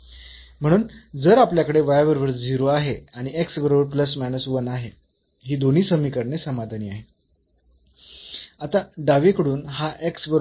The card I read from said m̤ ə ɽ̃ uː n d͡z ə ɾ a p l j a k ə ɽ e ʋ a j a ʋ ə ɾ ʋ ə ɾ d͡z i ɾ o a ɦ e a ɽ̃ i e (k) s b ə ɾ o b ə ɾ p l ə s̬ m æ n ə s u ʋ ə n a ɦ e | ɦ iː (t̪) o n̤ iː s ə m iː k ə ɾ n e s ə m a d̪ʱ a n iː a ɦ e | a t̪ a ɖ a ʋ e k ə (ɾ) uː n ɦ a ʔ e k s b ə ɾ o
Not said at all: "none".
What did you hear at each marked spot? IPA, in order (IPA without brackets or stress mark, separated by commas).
k, d̪, ɽ